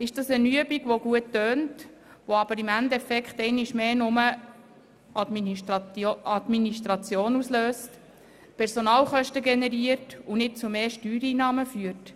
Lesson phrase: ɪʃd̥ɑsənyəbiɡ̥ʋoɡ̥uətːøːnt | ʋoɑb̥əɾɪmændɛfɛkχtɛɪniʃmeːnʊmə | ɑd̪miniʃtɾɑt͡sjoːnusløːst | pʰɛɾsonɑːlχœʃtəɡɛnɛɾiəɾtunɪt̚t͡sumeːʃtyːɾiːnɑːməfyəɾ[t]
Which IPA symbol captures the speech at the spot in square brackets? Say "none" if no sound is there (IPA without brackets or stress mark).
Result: t